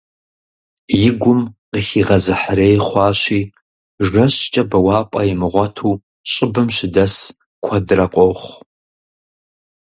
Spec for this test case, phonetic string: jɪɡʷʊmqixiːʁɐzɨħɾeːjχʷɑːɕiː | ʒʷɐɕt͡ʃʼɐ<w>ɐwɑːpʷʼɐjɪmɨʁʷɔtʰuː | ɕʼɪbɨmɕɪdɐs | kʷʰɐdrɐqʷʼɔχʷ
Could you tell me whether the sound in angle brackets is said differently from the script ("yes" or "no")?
yes